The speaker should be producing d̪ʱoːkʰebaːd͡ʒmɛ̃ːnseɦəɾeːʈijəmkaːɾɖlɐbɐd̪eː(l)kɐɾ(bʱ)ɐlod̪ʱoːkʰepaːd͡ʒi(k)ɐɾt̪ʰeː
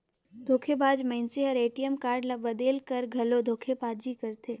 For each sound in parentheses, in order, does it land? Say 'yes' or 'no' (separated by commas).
yes, no, yes